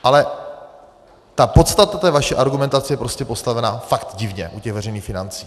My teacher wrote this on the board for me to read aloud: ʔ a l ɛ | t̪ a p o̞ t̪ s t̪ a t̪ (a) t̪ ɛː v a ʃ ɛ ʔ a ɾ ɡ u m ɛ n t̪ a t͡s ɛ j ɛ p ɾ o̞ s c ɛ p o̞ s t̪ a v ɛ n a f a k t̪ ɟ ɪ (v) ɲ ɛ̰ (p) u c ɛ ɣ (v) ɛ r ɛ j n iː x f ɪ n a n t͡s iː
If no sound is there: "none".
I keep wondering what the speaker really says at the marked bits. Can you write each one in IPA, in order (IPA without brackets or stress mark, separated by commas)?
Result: a, v, ʔ, v